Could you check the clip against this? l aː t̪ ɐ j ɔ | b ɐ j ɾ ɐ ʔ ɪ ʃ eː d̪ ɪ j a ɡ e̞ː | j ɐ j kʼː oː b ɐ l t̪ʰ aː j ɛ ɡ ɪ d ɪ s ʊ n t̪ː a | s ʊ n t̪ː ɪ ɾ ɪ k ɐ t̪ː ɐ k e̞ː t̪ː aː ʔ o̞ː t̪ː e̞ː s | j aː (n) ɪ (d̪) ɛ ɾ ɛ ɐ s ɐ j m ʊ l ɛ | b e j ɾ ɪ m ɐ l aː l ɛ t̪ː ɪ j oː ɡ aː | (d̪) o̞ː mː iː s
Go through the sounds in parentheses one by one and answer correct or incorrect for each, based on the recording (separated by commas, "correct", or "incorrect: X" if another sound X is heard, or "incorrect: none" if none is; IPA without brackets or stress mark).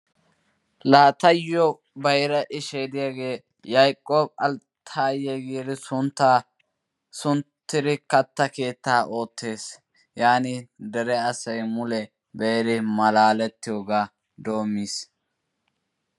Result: correct, correct, correct